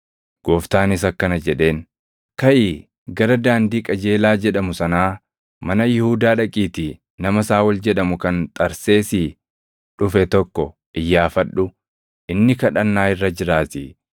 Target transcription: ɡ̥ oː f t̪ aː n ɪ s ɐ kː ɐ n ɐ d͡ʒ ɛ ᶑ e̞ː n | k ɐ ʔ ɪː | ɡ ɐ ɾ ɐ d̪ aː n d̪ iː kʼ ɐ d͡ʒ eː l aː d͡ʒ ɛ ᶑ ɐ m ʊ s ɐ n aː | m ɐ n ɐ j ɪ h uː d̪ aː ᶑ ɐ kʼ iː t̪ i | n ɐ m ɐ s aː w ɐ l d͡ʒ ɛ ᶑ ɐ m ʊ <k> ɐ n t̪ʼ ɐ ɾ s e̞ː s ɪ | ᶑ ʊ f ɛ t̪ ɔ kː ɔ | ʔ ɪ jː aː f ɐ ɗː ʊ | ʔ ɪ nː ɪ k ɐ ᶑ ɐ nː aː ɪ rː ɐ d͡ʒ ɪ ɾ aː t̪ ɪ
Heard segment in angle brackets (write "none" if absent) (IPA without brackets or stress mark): k